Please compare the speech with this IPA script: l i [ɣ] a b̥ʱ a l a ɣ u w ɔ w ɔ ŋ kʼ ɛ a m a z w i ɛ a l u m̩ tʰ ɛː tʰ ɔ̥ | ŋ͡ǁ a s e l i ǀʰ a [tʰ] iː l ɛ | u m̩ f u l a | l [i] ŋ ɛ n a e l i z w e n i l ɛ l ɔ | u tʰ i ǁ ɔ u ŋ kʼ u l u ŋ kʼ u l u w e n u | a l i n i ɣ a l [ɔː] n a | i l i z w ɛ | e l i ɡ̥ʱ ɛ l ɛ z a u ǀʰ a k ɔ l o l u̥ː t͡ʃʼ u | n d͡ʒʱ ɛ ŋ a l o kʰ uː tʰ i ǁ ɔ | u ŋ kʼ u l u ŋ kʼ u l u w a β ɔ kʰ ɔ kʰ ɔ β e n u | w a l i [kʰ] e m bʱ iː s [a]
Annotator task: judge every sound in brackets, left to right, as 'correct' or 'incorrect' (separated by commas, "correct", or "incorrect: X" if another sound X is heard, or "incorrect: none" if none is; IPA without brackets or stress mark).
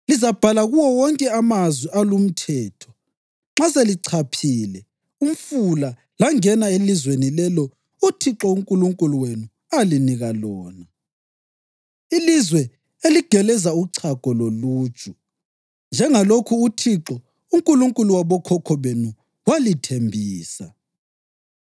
incorrect: z, incorrect: pʰ, incorrect: a, correct, incorrect: tʰ, correct